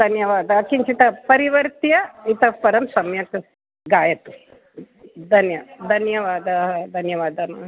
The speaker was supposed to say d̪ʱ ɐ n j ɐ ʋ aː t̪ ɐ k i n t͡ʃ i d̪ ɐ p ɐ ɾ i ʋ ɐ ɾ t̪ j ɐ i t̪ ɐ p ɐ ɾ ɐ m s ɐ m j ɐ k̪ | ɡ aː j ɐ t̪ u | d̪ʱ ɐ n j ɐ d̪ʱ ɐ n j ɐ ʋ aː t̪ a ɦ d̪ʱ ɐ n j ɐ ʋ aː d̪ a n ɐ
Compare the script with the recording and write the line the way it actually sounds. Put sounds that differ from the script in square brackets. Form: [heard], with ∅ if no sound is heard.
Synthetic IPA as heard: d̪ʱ ɐ n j ɐ ʋ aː [d̪] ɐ k i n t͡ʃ i [t̪] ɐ p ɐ ɾ i ʋ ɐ ɾ t̪ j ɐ i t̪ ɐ p ɐ ɾ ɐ m s ɐ m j ɐ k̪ | ɡ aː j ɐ t̪ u | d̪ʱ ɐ n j ɐ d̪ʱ ɐ n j ɐ ʋ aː [d̪] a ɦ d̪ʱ ɐ n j ɐ ʋ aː d̪ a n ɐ